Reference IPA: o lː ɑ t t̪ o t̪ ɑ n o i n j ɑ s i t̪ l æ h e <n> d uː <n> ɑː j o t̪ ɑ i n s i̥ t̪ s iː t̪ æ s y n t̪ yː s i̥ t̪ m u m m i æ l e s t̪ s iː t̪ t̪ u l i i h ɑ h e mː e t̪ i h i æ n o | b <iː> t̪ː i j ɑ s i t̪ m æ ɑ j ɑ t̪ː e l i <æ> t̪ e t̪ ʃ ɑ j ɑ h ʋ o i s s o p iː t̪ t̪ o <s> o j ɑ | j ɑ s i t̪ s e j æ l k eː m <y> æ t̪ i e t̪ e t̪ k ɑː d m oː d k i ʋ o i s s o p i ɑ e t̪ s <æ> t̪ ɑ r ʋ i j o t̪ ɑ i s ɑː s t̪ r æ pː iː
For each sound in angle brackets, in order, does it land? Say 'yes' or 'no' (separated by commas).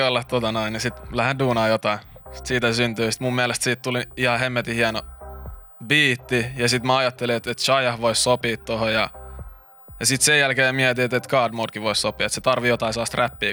yes, yes, yes, no, no, no, no